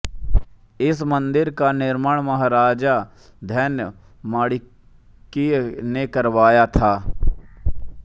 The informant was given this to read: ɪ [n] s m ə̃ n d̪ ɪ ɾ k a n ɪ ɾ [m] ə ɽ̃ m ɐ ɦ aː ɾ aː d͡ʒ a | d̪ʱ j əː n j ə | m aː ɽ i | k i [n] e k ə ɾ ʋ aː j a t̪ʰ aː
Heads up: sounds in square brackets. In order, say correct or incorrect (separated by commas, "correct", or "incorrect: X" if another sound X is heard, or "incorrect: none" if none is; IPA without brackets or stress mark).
incorrect: none, correct, correct